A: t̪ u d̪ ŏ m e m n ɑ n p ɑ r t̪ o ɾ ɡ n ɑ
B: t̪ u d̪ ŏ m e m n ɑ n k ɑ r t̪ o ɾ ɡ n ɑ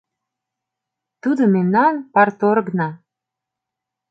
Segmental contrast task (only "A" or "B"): A